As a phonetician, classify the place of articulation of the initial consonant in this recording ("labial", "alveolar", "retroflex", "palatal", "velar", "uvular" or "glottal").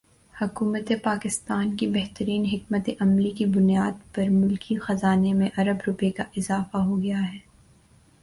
glottal